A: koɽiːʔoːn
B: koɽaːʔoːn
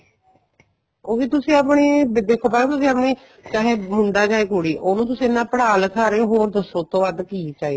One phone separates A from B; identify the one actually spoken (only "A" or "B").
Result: A